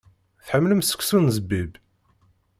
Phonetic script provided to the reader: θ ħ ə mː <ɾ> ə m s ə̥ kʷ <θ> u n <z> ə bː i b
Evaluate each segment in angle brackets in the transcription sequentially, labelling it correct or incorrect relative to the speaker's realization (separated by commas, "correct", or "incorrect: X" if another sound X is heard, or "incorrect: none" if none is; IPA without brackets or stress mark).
incorrect: l, incorrect: s, correct